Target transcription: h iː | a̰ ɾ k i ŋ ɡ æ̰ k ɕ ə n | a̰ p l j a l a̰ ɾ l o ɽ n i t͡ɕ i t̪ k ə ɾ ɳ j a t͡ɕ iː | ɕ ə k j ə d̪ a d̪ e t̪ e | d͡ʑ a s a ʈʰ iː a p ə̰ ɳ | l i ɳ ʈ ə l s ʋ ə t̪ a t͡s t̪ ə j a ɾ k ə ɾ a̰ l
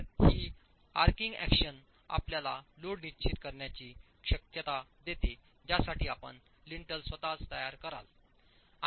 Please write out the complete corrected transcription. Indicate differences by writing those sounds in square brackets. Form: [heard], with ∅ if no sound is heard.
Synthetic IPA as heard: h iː | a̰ ɾ k i ŋ ɡ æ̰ k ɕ ə n | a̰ p l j a l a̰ [∅] l o ɽ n i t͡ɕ i t̪ k ə ɾ ɳ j a t͡ɕ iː | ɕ ə k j ə [t̪] a d̪ e t̪ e | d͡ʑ a s a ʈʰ iː a p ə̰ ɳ | l i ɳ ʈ ə l s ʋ ə t̪ a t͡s t̪ ə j a ɾ k ə ɾ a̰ l

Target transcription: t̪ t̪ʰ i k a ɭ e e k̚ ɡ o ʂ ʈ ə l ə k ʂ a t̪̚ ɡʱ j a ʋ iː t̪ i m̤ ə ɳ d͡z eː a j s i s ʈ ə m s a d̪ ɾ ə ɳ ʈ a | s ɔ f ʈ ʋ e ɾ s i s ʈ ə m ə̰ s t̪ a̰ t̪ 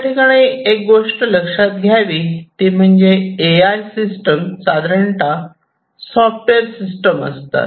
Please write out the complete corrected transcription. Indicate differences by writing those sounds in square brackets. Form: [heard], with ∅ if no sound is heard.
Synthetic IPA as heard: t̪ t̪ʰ i k a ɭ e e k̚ ɡ o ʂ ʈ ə l ə k ʂ a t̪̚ ɡʱ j a ʋ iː t̪ i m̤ ə ɳ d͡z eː a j s i s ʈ ə m s a d̪ ɾ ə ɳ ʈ a | s ɔ f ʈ ʋ e ɾ s i s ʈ ə m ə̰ s t̪ a̰ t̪

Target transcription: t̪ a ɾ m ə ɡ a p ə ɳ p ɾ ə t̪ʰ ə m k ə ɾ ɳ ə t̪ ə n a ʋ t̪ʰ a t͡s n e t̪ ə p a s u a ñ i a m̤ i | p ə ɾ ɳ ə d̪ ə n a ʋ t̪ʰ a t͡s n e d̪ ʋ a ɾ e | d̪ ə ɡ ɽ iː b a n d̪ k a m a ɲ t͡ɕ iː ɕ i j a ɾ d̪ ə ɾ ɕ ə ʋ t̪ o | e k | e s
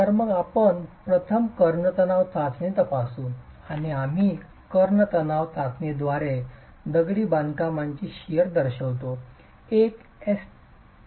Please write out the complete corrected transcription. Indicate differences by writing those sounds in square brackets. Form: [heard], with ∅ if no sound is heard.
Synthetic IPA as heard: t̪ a ɾ m ə ɡ a p ə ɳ p ɾ ə t̪ʰ ə m k ə ɾ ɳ ə t̪ ə n a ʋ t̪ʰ a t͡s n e t̪ ə p a s u a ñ i a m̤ i | [k] ə ɾ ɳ ə [t̪] ə n a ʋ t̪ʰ a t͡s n e d̪ ʋ a ɾ e | d̪ ə ɡ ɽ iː b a n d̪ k a m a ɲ t͡ɕ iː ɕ i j [ə] ɾ d̪ ə ɾ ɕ ə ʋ t̪ o | e k | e s

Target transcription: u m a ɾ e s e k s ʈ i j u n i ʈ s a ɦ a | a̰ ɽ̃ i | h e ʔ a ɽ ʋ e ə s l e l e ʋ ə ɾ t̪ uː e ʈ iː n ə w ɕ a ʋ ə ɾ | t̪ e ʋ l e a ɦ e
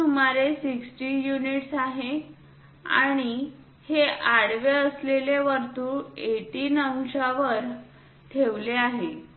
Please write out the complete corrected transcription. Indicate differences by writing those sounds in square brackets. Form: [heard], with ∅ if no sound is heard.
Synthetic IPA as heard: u m a ɾ e s [i] k s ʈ i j u n i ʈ s a ɦ [e] | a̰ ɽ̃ i | h e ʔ a ɽ ʋ e ə s l e l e ʋ ə ɾ t̪ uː e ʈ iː n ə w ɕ a ʋ ə ɾ | [t̪ʰ] e ʋ l e a ɦ e

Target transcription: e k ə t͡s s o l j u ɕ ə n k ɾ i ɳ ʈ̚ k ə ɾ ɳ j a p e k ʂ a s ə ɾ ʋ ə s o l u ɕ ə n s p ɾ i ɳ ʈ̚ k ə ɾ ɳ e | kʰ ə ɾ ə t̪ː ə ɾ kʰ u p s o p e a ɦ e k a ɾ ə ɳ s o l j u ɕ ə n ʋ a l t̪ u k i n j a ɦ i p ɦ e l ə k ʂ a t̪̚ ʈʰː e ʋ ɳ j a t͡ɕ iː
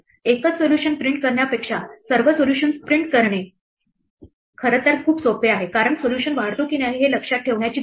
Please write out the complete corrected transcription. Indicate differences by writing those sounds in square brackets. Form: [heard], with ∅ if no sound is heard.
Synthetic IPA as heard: e k ə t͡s s o l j u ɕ ə n [p] ɾ i ɳ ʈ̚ k ə ɾ ɳ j a p e k ʂ a s ə ɾ ʋ ə s o l u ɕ ə n s p ɾ i ɳ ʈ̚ k ə ɾ ɳ e | kʰ ə ɾ ə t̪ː ə ɾ kʰ [uː] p s o p e a ɦ e k a ɾ ə ɳ s o l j u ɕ ə n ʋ a [ɽ] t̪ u k i n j a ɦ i [∅] ɦ e l ə k ʂ a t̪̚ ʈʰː e ʋ ɳ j a t͡ɕ iː

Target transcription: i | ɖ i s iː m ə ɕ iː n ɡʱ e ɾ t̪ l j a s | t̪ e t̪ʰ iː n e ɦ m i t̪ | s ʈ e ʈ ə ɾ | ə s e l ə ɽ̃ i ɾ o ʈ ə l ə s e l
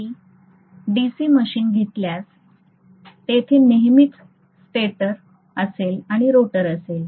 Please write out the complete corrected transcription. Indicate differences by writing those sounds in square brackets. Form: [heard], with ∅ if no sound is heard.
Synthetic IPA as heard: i | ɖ i s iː m ə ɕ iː n ɡʱ e [∅] t̪ l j a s | t̪ e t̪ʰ iː n e ɦ m i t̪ | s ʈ e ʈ ə ɾ | ə s e l [a] ɽ̃ i ɾ o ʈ ə [ɾ] ə s e l

